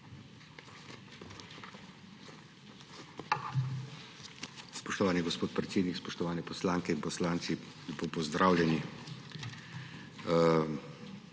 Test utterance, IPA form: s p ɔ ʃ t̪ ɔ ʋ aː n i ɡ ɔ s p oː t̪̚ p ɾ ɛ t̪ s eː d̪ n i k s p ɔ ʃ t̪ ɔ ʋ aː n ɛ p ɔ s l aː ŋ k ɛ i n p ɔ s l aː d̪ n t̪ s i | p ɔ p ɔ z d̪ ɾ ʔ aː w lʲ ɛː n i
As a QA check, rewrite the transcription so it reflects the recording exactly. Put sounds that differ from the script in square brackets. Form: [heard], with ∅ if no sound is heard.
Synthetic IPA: s p ɔ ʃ t̪ ɔ ʋ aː n i ɡ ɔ s p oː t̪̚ p ɾ ɛ t̪ s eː d̪ n i k s p ɔ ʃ t̪ ɔ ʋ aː n ɛ p ɔ s l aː ŋ k ɛ i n p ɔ s l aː [∅] n t̪ s i | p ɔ p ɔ z d̪ ɾ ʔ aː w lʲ [ɛ] n i